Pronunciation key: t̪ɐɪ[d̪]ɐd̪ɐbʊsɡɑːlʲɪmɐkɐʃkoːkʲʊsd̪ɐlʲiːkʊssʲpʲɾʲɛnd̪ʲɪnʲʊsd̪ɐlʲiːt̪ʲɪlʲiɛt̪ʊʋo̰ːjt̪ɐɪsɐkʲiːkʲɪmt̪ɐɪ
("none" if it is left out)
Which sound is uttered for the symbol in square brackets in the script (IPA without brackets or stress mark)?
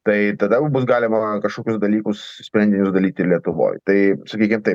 t̪